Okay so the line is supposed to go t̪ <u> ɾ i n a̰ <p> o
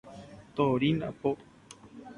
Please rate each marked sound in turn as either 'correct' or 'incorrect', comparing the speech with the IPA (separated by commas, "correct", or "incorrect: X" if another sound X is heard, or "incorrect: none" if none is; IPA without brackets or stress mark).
incorrect: o, correct